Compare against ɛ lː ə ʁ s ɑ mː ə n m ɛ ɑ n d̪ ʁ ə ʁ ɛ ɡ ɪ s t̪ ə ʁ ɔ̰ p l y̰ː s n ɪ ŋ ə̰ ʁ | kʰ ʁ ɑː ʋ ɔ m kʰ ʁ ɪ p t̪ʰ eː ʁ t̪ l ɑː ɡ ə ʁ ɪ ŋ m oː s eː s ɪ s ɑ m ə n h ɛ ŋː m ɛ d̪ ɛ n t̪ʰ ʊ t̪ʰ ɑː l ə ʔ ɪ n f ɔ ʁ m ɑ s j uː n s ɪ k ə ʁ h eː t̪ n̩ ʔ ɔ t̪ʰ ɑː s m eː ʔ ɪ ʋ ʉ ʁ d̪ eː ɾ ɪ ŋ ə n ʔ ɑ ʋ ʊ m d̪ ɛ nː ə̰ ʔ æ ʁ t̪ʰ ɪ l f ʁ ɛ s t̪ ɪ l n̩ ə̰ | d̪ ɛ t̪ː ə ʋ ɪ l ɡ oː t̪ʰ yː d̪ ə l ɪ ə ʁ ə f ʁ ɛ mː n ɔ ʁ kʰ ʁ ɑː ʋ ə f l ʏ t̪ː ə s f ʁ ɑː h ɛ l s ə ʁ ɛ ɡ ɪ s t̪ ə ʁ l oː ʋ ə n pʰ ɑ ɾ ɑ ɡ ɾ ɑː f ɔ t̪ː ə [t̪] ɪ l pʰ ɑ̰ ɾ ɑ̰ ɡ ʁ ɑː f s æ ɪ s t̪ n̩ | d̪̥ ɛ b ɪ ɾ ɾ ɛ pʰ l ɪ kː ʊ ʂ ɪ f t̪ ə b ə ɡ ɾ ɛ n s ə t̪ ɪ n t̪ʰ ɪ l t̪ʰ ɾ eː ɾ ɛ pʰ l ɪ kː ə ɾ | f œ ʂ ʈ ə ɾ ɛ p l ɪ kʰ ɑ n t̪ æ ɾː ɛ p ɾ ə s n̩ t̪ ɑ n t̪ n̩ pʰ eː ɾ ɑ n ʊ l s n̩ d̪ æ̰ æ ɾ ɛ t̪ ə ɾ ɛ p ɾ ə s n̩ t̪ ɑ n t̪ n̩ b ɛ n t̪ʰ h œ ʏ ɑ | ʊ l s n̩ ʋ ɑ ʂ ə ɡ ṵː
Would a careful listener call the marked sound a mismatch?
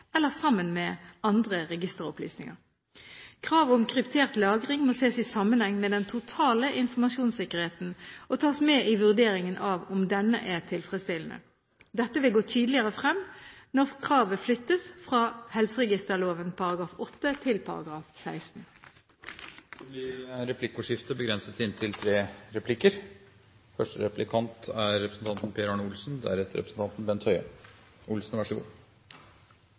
yes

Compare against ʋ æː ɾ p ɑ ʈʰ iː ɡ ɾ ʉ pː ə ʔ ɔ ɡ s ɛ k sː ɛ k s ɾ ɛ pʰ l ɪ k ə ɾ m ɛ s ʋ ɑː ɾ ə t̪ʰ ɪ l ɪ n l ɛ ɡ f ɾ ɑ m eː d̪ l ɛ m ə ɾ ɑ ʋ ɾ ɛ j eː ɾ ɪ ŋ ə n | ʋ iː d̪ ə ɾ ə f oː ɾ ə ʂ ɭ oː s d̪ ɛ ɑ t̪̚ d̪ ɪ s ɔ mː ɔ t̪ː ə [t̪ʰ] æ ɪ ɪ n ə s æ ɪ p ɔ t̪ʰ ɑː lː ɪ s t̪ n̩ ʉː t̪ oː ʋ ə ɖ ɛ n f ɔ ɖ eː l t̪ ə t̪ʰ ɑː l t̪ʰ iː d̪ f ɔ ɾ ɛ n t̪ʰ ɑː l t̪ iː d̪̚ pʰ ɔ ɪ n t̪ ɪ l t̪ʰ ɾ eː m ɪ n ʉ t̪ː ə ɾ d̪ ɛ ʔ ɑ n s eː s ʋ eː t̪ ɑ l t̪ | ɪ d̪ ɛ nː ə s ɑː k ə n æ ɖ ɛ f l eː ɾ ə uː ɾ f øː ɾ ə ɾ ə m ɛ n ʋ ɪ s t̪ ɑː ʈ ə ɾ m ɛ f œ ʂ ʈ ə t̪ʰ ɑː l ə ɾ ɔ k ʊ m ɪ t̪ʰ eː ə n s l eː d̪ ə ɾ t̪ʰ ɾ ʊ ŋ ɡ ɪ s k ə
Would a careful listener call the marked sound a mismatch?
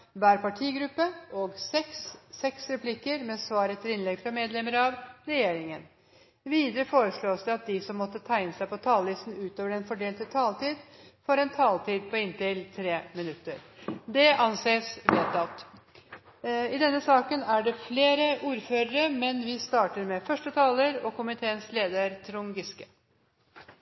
no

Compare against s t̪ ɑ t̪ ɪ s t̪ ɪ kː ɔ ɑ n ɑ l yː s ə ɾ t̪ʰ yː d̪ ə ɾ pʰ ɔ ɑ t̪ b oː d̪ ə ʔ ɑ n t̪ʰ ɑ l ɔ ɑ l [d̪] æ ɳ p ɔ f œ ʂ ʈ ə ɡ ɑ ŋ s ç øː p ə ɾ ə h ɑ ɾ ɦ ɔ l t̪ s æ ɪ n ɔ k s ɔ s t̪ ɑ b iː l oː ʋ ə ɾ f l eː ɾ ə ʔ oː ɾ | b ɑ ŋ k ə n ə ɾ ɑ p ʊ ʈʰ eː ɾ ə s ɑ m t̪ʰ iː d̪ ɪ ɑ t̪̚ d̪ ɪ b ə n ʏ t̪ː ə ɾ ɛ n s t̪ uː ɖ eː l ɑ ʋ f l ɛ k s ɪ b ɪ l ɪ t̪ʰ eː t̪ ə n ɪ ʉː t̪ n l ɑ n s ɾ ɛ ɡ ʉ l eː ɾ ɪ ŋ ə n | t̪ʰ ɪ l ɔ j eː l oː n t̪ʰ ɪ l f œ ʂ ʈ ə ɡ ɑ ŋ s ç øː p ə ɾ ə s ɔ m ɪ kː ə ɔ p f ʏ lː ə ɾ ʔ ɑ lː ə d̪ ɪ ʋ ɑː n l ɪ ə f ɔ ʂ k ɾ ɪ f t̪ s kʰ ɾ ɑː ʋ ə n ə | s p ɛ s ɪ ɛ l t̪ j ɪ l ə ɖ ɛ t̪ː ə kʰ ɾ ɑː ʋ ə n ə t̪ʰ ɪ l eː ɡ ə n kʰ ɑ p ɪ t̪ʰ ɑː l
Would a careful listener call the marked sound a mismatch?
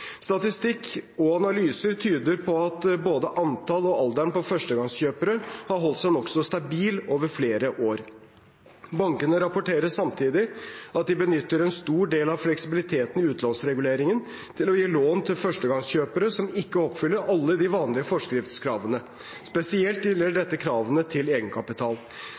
no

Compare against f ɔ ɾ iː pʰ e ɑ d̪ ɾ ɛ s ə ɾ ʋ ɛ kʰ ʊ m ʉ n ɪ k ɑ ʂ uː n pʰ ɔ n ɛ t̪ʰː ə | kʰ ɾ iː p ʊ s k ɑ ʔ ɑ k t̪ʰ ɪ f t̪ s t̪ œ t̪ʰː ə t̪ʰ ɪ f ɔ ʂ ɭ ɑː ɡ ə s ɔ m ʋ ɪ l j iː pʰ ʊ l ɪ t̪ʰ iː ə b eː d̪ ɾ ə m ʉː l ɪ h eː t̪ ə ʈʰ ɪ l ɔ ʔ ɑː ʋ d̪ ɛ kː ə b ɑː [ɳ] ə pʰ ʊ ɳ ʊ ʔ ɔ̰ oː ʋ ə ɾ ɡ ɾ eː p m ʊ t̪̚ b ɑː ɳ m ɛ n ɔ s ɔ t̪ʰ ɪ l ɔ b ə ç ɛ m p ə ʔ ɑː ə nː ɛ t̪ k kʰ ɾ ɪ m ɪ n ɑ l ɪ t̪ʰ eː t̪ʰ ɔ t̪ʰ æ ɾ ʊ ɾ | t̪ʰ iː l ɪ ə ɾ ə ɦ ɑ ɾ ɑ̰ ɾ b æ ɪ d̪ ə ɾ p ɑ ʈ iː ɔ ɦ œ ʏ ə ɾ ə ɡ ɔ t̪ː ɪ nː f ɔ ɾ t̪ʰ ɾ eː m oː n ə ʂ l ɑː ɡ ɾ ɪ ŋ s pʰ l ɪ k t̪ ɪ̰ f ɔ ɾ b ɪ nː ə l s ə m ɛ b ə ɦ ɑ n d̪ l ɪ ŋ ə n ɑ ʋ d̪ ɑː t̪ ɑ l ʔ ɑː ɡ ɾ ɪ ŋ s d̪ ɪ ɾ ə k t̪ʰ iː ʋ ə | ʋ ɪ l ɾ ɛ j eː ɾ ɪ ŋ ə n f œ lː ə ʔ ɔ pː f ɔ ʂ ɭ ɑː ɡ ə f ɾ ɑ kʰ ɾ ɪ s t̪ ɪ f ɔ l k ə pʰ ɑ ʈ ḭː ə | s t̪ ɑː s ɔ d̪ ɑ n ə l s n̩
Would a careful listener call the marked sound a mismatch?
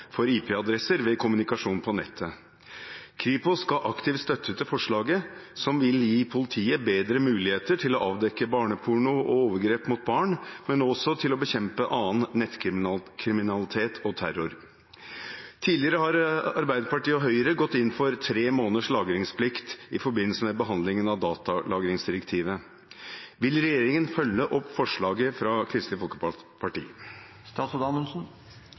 no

